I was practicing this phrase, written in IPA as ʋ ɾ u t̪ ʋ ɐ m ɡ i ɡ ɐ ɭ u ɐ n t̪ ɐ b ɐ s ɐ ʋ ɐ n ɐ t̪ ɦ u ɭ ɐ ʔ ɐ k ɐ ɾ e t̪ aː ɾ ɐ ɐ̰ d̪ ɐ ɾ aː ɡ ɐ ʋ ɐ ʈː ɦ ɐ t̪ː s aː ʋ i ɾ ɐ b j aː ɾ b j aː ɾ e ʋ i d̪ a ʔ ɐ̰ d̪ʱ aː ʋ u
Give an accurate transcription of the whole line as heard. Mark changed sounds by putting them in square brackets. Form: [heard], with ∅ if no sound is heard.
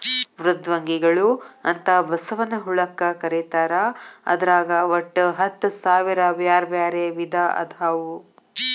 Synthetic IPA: ʋ ɾ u [d̪] ʋ ɐ [ŋ] ɡ i ɡ ɐ ɭ u ɐ n t̪ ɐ b ɐ s ɐ ʋ ɐ n ɐ [∅] ɦ u ɭ ɐ [k] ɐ k ɐ ɾ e t̪ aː ɾ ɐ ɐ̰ d̪ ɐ ɾ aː ɡ ɐ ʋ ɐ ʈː ɦ ɐ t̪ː s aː ʋ i ɾ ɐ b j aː ɾ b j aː ɾ e ʋ i d̪ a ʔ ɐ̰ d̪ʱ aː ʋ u